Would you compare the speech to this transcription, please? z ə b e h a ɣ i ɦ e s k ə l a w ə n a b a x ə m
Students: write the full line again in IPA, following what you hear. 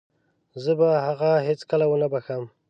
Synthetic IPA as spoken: z ə b a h a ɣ a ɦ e t͡s k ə l a w ə n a b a x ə m